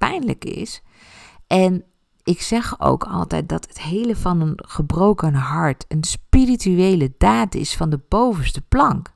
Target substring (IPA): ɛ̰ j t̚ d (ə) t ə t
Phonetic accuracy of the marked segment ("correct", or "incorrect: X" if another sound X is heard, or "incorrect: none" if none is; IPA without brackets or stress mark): incorrect: ɑ